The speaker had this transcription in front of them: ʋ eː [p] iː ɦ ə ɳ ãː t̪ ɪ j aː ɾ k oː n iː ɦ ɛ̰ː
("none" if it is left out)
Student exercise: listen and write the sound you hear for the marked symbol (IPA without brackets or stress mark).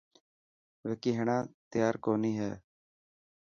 k